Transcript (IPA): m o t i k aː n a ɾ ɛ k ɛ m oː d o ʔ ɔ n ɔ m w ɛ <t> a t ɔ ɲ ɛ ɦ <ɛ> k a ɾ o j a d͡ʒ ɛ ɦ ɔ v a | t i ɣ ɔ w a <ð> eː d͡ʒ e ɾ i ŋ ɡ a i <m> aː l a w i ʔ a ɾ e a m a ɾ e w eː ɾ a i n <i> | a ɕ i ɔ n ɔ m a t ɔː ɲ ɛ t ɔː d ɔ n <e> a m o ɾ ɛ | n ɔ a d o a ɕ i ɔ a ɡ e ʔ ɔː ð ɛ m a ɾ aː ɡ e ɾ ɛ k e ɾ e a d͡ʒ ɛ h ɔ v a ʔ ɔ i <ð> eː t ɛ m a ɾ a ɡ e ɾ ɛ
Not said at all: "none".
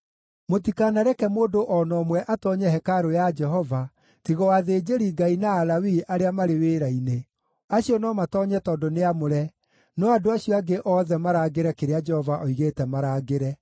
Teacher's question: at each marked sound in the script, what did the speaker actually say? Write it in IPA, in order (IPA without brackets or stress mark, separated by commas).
ʔ, ɛ, ð, n, e, e, ɣ